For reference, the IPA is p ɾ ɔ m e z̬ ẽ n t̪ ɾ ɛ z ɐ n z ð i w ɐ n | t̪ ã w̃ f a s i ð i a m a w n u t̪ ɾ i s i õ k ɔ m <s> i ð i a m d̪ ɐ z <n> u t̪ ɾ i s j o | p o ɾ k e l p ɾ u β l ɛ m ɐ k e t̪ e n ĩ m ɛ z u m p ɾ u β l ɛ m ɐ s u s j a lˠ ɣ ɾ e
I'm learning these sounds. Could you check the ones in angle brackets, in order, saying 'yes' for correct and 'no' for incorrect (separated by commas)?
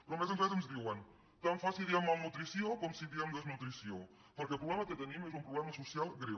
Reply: yes, yes